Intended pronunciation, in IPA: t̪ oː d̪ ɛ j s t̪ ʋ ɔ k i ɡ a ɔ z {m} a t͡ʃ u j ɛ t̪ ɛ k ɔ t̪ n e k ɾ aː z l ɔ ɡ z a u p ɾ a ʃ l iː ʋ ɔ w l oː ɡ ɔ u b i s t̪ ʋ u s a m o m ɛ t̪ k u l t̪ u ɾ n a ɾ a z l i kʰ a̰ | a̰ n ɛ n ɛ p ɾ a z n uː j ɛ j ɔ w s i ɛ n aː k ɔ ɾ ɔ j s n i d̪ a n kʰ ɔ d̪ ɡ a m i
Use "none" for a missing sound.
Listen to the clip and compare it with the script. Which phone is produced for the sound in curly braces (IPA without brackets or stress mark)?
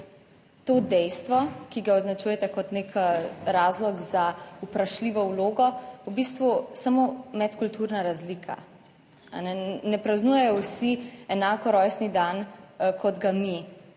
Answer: n